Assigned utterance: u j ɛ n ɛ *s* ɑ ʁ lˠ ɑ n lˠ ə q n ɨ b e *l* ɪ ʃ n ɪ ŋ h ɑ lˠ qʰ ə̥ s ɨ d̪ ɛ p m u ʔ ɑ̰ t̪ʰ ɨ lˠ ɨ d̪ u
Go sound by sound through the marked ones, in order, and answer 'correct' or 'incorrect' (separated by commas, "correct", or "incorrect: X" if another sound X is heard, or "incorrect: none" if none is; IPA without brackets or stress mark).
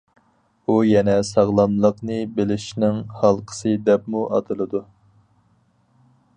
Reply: correct, correct